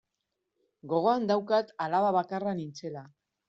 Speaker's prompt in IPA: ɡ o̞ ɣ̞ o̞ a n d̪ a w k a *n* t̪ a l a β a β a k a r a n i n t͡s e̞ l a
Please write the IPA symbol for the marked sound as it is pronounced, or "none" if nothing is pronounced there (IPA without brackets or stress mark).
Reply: none